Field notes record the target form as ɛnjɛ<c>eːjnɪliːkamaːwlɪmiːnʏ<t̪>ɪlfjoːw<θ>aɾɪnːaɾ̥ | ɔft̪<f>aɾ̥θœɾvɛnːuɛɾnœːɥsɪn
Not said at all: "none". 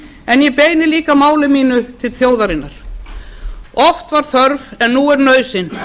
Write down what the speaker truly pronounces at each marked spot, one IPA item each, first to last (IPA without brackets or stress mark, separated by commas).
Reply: p, t̪ʰ, ð, v